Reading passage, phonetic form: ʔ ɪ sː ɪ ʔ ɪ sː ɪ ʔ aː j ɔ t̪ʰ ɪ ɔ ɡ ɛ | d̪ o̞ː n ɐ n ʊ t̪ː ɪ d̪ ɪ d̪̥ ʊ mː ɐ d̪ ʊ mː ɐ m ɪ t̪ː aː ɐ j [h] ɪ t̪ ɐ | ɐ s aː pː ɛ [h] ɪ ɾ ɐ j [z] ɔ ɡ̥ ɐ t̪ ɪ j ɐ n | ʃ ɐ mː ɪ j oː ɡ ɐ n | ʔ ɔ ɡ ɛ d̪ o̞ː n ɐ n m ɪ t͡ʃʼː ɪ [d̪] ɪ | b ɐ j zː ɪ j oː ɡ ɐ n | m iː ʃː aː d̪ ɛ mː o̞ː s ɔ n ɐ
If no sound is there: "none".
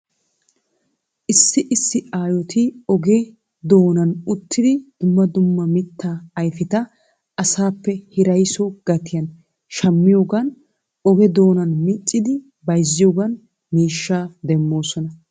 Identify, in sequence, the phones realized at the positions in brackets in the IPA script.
f, h, s, d̪

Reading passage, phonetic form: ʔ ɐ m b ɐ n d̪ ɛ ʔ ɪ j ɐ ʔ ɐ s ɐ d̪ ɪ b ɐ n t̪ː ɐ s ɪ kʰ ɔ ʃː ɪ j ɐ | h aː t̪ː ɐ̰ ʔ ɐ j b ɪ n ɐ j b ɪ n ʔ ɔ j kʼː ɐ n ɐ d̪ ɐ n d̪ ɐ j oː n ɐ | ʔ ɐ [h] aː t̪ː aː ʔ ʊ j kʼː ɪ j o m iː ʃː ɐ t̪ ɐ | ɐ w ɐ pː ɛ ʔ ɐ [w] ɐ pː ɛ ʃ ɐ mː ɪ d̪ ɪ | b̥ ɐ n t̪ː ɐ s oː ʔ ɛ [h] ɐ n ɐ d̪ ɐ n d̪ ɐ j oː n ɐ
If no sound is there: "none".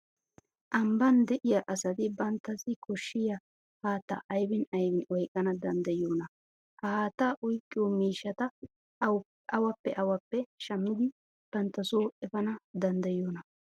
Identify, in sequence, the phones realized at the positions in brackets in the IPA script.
h, w, f

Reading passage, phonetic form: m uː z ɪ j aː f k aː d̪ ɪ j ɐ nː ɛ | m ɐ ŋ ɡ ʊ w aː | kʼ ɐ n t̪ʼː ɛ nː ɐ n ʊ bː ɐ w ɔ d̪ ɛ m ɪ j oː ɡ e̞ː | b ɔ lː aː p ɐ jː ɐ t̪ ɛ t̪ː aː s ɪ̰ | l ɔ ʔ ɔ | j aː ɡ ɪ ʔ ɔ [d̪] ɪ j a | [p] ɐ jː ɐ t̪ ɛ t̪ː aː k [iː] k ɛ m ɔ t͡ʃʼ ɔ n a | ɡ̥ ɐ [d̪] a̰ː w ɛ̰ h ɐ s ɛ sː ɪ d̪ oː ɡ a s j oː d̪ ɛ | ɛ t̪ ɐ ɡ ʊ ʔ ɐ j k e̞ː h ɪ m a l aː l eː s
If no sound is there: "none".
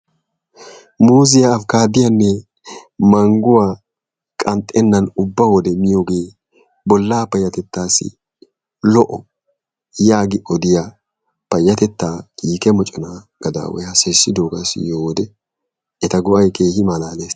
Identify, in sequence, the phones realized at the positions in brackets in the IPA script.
d̪, p, iː, d̪

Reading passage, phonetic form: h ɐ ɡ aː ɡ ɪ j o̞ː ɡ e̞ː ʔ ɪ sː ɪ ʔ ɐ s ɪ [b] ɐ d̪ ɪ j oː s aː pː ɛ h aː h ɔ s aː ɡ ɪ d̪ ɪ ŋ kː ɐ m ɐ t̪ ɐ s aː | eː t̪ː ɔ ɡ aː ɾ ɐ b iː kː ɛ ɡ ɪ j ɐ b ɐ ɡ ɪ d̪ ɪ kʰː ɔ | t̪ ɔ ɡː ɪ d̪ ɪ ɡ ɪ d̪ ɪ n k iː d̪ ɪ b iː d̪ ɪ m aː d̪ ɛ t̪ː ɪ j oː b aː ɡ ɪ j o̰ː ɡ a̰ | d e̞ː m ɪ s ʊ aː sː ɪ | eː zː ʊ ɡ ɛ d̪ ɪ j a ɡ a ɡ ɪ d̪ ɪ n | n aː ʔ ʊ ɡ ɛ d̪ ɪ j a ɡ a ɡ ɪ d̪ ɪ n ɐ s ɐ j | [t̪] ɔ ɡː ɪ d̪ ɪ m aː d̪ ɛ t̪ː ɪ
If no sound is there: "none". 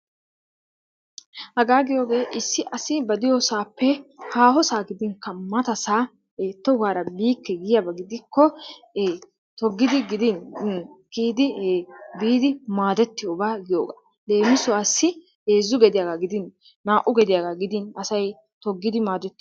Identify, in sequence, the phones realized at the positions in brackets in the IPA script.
b, t̪

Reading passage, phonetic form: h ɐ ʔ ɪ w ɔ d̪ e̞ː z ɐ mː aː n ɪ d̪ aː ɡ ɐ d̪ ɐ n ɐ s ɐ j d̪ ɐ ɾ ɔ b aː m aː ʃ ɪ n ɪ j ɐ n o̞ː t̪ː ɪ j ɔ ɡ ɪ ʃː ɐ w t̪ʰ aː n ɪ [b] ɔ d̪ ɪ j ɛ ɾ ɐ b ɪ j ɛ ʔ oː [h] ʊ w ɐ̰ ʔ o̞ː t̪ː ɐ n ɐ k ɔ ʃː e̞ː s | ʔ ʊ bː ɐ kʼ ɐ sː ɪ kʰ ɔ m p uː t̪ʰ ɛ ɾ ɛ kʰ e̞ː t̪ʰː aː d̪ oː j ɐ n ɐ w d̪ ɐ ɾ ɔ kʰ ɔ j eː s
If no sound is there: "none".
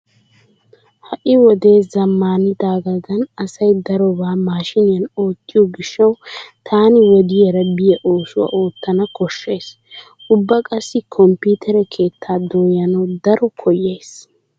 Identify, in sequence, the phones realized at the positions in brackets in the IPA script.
w, s

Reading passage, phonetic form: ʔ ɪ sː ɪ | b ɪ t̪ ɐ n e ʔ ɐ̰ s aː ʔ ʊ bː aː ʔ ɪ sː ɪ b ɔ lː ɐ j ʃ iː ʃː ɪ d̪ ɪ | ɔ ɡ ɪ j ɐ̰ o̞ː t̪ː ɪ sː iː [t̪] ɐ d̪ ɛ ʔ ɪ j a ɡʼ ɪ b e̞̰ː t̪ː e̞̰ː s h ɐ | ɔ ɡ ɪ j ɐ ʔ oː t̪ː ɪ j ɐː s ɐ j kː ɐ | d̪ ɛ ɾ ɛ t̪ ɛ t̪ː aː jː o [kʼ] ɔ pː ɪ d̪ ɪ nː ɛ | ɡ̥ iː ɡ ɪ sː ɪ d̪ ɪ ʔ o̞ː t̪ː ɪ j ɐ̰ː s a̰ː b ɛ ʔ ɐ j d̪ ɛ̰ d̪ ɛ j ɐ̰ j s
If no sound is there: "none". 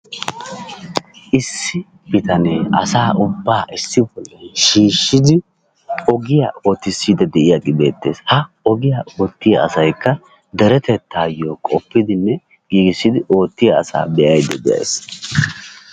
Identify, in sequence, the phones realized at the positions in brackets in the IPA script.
d̪, kʼ

